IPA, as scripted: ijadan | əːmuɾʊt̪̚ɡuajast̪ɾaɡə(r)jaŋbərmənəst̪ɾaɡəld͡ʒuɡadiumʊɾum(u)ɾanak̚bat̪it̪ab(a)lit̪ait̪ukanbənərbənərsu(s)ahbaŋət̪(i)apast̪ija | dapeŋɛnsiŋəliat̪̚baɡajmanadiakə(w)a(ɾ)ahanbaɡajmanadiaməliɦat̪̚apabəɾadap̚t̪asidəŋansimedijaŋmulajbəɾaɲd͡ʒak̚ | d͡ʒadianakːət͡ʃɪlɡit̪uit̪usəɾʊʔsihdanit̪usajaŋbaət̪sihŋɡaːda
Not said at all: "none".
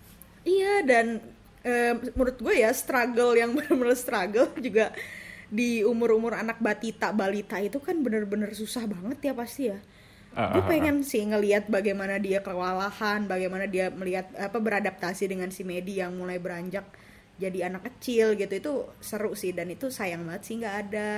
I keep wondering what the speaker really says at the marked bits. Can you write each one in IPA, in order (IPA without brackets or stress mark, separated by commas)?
l, ʊ, a, s, j, w, l